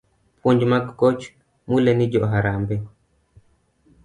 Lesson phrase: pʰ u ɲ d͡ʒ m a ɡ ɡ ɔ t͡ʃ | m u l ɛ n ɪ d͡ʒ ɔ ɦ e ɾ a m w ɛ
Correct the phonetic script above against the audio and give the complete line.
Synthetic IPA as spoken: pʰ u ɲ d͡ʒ m a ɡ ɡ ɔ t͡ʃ | m u l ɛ n i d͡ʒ ɔ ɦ a ɾ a m b ɛ